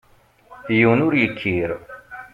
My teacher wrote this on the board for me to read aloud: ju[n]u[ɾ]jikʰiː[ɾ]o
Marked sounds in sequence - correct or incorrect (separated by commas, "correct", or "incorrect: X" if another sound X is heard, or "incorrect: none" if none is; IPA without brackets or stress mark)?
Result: correct, correct, correct